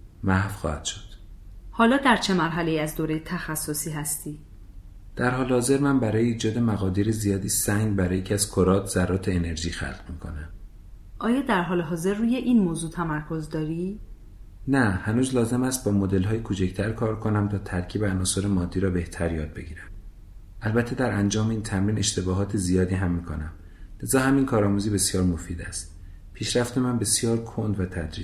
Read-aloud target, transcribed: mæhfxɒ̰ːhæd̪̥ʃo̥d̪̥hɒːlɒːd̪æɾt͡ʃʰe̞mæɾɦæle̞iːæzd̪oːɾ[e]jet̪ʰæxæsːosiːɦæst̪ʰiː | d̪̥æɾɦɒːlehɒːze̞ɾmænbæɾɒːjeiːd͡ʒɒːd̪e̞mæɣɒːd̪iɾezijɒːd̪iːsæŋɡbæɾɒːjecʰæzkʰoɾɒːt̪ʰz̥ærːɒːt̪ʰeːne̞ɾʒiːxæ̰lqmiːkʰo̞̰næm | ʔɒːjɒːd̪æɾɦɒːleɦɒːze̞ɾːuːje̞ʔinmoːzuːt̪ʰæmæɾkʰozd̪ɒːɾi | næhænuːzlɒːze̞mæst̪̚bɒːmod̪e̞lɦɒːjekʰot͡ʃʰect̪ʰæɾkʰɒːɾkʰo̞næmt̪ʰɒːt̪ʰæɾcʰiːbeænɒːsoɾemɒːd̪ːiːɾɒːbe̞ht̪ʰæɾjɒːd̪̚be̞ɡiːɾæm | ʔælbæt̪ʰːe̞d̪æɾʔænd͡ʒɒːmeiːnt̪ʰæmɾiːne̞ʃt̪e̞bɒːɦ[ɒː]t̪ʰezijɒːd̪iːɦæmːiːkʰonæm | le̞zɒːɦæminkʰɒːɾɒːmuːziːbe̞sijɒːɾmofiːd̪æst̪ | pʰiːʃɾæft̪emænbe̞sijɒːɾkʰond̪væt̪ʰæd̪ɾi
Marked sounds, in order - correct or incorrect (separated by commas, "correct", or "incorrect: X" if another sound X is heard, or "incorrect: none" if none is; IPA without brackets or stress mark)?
correct, correct